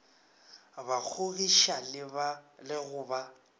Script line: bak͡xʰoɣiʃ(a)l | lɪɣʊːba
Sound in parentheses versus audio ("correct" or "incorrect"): correct